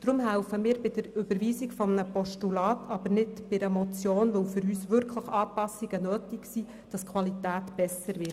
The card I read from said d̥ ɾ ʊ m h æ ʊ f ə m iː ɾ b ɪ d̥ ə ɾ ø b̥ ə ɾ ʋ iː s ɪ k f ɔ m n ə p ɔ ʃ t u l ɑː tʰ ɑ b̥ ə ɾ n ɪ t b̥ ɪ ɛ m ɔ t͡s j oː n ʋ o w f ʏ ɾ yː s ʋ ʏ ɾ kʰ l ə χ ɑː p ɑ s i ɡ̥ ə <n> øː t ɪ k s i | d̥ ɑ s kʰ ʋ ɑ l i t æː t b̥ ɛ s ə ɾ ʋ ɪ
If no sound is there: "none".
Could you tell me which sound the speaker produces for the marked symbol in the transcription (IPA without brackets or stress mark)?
n